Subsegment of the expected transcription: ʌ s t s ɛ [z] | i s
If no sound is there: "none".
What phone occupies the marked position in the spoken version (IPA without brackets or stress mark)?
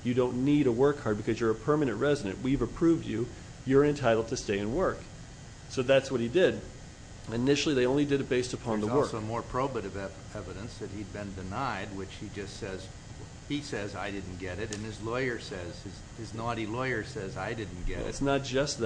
z